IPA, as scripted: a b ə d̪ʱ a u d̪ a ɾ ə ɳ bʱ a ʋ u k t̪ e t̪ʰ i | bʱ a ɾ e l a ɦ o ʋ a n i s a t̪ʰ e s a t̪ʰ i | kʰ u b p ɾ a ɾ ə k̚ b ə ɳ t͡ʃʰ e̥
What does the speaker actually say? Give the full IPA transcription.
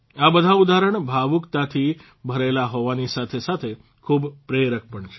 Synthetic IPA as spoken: a b ə d̪ʱ a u d̪ a ɾ ə ɳ bʱ a ʋ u k t̪ a t̪ʰ i | bʱ ə ɾ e l a ɦ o ʋ a n i s a t̪ʰ e s a t̪ʰ e | kʰ u b p ɾ e ɾ ə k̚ p ə ɳ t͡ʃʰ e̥